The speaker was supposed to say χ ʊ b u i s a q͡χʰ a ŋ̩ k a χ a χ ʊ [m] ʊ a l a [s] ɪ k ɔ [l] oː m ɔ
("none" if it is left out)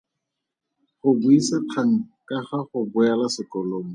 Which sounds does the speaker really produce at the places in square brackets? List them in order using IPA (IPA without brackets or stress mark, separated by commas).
b, s, l